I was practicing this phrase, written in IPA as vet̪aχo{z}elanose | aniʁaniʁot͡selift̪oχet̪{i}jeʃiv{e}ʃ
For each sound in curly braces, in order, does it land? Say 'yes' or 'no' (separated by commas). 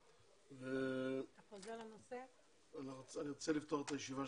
yes, no, no